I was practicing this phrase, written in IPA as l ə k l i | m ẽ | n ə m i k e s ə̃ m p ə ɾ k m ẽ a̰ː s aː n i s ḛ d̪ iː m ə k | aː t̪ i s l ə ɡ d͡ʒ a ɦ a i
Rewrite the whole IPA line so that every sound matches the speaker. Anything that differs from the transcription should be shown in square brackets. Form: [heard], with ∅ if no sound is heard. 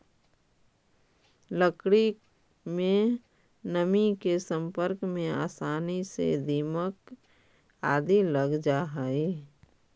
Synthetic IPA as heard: l ə k [ɽ] i | m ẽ | n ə m i k e s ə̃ m p ə ɾ k m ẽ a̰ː s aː n i s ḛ d̪ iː m ə k | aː [d̪] i [∅] l ə ɡ d͡ʒ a ɦ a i